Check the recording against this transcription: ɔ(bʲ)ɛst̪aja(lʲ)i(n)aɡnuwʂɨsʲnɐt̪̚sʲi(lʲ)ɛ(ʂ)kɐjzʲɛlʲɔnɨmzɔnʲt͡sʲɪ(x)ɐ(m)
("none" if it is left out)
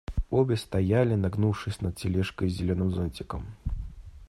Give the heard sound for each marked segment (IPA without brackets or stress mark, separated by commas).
bʲ, lʲ, n, lʲ, ʂ, k, m